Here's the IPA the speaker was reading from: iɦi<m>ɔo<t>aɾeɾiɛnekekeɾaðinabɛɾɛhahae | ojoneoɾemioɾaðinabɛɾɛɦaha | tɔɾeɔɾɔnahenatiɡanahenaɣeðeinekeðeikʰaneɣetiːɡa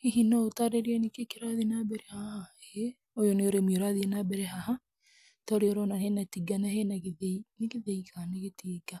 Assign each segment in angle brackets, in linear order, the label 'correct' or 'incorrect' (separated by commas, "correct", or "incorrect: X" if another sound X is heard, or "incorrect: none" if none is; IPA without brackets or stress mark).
incorrect: n, correct